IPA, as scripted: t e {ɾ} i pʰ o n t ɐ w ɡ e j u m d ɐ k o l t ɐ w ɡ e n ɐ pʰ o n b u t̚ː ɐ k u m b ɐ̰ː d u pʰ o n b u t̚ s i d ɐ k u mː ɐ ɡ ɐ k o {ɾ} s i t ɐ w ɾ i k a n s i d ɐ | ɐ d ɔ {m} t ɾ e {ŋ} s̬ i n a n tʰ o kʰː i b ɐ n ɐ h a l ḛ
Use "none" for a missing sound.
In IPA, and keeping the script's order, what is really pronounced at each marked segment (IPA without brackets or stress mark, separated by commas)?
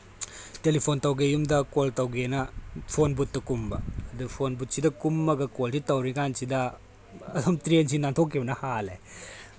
l, l, m, n